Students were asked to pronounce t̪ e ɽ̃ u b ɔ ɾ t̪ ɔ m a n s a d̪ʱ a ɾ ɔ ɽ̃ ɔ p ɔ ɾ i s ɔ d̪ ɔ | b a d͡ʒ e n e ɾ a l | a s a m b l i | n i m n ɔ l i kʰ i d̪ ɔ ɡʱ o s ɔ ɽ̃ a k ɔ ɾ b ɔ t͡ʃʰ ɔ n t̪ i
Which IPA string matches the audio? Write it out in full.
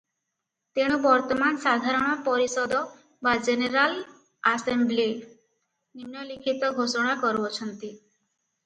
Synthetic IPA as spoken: t̪ e ɽ̃ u b ɔ ɾ t̪ ɔ m a n s a d̪ʱ a ɾ ɔ ɽ̃ ɔ p ɔ ɾ i s ɔ d̪ ɔ | b a d͡ʒ e n e ɾ a l | a s e m b l i | n i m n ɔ l i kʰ i t̪ ɔ ɡʱ o s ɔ ɽ̃ a k ɔ ɾ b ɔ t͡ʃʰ ɔ n t̪ i